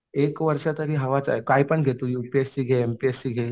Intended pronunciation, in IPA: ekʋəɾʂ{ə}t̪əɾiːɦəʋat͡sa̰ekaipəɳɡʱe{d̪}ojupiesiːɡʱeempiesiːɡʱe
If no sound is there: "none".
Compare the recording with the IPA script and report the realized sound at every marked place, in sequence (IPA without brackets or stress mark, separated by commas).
a, t̪